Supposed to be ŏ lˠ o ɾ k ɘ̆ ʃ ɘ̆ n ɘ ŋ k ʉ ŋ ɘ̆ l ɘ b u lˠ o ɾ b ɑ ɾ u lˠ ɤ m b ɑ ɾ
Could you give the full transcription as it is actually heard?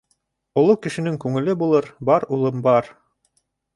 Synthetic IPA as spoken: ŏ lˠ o k ɘ̆ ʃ ɘ̆ n ɘ ŋ k ʉ ŋ ɘ̆ l ɘ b u lˠ ɤ ɾ b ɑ ɾ u lˠ ɤ m b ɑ ɾ